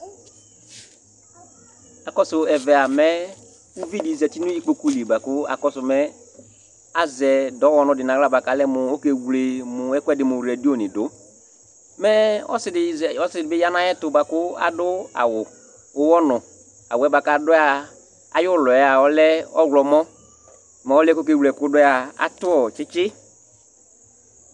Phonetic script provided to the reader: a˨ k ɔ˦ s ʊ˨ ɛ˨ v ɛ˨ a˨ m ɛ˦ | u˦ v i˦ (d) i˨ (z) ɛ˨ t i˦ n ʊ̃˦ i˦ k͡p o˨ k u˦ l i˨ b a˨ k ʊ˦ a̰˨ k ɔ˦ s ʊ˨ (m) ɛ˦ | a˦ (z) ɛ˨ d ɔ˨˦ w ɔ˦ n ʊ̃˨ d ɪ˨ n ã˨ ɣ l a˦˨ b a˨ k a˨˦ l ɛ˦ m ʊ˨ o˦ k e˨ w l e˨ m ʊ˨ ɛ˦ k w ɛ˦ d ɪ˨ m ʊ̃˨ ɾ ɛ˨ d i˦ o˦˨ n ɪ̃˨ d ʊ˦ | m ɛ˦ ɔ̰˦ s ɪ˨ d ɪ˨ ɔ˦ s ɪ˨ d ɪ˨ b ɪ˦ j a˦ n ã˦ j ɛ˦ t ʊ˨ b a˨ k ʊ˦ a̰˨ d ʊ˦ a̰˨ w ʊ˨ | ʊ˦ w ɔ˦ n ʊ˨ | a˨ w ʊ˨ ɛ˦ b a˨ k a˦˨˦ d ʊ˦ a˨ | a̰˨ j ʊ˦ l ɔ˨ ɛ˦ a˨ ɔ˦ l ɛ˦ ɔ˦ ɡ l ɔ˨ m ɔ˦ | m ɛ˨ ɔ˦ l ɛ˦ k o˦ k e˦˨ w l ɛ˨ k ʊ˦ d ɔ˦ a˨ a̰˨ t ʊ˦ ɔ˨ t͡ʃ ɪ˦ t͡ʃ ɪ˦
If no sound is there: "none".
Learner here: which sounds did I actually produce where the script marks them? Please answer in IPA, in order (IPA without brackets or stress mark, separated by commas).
d, z, m, z